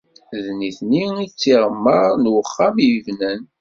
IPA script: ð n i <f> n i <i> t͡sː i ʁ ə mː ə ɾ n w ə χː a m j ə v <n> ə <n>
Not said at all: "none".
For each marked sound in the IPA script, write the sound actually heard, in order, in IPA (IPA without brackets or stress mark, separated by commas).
θ, i, n, n